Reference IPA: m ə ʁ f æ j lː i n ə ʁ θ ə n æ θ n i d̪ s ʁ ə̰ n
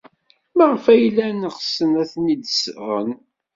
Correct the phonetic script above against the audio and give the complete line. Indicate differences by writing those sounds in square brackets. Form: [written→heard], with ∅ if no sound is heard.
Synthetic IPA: m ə ʁ f æ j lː [i→æ] n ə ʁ [θ→s] ə n æ θ n i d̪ s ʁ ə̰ n